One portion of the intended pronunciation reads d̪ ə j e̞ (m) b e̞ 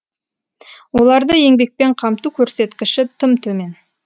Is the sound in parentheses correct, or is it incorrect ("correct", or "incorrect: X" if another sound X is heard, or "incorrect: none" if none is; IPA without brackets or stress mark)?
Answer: incorrect: ŋ